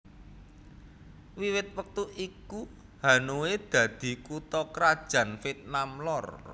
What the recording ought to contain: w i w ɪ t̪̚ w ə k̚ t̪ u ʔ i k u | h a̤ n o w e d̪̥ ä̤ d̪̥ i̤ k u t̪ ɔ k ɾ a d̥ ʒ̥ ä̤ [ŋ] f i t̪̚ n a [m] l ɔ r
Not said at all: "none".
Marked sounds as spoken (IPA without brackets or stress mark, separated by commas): n, m